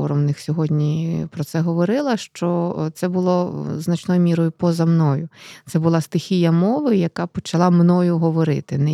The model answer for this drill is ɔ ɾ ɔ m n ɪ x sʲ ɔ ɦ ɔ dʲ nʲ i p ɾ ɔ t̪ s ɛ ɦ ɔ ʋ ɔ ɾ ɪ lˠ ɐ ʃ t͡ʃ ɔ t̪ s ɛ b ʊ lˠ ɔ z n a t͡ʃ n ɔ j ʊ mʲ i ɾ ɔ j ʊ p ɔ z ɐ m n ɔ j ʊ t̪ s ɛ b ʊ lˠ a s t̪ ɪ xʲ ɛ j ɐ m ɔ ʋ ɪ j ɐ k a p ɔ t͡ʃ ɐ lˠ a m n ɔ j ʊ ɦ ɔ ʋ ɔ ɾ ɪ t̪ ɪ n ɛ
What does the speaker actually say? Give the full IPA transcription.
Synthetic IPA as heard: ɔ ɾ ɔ m n ɪ x sʲ ɔ ɦ ɔ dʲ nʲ i p ɾ ɔ t̪ s ɛ ɦ ɔ ʋ ɔ ɾ ɪ lˠ ɐ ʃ t͡ʃ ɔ t̪ s ɛ b ʊ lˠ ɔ z n ɐ t͡ʃ n ɔ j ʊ mʲ i ɾ ɔ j ʊ p ɔ z ɐ m n ɔ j ʊ t̪ s ɛ b ʊ lˠ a s t̪ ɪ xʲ i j ɐ m ɔ ʋ ɪ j ɐ k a p ɔ t͡ʃ ɐ lˠ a m n ɔ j ʊ ɦ ɔ ʋ ɔ ɾ ɪ t̪ ɪ n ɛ